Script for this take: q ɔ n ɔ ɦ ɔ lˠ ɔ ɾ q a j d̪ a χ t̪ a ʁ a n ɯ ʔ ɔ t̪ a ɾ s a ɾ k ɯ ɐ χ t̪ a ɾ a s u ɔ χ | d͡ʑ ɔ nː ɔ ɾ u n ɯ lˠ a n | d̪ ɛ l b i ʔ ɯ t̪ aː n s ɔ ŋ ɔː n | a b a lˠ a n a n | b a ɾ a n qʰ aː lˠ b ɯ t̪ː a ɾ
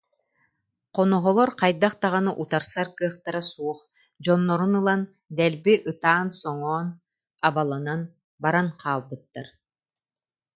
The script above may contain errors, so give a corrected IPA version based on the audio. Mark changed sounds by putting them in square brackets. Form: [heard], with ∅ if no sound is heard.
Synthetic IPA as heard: q ɔ n ɔ ɦ ɔ lˠ ɔ ɾ q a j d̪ a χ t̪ a ʁ a n ɯ ʔ [u] t̪ a ɾ s a ɾ k ɯ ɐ χ t̪ a ɾ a s u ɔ χ | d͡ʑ ɔ nː ɔ ɾ u n ɯ lˠ a n | d̪ ɛ l b i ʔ ɯ t̪ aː n s ɔ ŋ ɔː n | a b a lˠ a n a n | b a ɾ a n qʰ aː lˠ b ɯ t̪ː a ɾ